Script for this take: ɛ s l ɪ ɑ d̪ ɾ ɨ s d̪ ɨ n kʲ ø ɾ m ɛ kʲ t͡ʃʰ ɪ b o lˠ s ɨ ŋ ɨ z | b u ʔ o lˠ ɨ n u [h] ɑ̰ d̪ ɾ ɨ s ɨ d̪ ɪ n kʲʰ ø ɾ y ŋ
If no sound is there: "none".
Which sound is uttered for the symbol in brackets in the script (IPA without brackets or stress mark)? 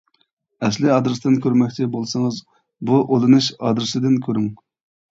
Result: ʃ